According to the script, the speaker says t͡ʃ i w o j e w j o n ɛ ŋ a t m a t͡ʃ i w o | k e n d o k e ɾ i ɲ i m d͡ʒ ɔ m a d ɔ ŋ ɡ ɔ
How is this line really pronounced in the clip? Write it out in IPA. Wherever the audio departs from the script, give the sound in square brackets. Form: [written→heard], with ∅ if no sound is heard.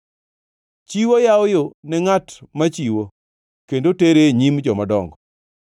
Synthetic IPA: t͡ʃ i w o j [e→a] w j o n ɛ ŋ a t m a t͡ʃ i w o | k e n d o [k→t] e ɾ [i→e] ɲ i m d͡ʒ ɔ m a d ɔ ŋ ɡ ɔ